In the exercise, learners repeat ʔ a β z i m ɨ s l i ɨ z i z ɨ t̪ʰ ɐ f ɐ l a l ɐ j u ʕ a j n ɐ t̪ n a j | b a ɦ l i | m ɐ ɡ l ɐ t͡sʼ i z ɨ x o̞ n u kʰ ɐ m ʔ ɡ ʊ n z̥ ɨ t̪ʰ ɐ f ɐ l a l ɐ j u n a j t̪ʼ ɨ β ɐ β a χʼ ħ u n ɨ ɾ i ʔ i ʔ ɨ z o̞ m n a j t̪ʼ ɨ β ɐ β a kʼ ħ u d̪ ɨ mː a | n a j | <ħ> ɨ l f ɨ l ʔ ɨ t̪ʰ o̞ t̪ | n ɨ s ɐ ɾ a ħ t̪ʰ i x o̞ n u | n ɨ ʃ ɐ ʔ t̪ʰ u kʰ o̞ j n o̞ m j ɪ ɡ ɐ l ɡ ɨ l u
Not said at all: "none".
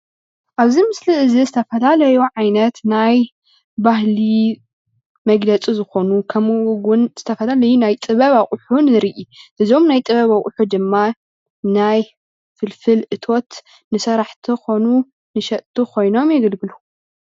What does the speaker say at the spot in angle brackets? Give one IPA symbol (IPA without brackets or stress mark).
f